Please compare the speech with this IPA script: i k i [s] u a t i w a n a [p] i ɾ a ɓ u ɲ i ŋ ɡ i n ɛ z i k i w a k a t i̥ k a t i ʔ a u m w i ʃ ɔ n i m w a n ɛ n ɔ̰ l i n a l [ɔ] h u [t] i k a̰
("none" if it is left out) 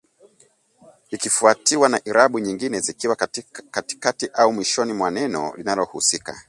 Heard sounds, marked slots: f, ʔ, ɔ, s

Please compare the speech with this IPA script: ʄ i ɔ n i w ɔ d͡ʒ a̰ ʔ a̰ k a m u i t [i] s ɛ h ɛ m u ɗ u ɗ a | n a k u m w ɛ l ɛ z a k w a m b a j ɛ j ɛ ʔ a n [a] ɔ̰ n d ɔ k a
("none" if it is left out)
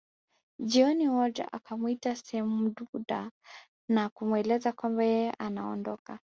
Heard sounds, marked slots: a, a

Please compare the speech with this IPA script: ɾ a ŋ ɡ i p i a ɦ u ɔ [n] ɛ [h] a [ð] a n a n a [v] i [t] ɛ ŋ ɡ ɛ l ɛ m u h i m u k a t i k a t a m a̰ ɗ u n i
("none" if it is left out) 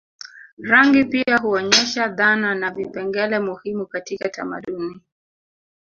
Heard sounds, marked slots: ɲ, ʃ, ð, v, p

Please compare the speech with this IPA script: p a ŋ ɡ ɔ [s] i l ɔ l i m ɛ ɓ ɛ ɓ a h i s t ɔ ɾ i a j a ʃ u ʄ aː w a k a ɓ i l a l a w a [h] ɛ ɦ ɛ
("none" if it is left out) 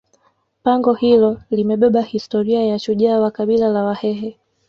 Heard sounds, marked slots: h, h

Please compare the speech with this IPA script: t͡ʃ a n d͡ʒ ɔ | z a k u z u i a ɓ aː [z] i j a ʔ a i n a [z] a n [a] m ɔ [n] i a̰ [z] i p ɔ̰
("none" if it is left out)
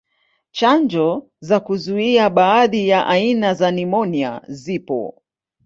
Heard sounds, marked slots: ð, z, i, n, z

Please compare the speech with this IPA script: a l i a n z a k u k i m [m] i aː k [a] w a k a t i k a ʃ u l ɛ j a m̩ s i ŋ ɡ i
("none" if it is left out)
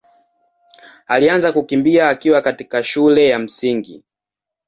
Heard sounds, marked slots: b, i

